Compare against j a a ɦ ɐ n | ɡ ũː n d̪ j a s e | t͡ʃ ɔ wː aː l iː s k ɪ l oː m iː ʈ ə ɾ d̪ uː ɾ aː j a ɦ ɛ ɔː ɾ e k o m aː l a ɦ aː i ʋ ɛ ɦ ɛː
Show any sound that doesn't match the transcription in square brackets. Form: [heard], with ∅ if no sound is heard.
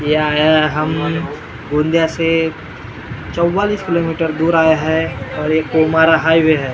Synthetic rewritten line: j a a ɦ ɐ [m] | ɡ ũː n d̪ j a s e | t͡ʃ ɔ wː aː l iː s k ɪ l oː m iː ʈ ə ɾ d̪ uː ɾ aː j a ɦ ɛ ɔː ɾ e k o m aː [ɾ] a ɦ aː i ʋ [e] ɦ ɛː

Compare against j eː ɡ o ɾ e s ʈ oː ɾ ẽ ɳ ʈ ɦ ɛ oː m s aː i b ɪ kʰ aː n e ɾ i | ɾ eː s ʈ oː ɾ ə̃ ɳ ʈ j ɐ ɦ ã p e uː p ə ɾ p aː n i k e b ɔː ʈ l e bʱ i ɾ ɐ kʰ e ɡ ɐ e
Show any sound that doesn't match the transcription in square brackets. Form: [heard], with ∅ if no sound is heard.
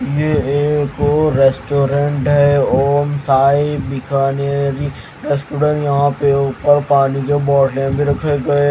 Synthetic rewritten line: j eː [k] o ɾ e s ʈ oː ɾ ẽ ɳ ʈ ɦ ɛ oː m s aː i b ɪ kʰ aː n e ɾ i | ɾ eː s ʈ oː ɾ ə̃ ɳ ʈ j ɐ ɦ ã p e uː p ə ɾ p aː n i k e b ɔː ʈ l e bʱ i ɾ ɐ kʰ e ɡ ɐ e

